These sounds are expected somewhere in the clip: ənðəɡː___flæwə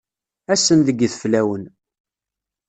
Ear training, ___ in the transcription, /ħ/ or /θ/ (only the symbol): θ